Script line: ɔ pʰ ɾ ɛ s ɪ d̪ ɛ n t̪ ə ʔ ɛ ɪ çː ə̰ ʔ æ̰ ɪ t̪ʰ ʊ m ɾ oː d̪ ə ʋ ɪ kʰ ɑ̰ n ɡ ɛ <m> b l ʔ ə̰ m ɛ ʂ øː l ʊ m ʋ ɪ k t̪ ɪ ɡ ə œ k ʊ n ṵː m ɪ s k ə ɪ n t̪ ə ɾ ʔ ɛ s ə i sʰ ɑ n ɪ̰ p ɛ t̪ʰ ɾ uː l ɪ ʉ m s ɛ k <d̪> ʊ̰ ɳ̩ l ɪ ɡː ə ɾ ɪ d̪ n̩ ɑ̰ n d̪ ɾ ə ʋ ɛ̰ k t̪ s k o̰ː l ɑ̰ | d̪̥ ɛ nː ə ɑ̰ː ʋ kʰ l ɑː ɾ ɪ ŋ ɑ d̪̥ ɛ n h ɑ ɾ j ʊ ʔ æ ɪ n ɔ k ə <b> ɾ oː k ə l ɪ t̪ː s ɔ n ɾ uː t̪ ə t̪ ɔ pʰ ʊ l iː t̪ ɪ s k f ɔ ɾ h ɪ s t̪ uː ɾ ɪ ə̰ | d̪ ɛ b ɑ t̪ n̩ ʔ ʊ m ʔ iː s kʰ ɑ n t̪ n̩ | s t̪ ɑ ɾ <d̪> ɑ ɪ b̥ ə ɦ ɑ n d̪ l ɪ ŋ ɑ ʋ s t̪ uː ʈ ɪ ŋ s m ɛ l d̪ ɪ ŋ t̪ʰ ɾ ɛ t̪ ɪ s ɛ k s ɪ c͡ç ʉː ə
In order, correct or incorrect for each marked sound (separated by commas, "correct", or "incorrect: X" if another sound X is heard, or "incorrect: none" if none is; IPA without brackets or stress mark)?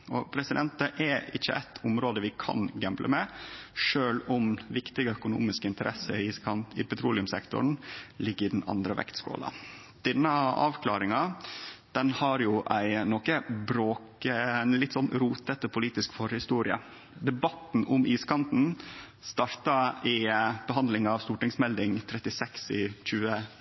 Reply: correct, incorrect: t̪, correct, incorrect: t̪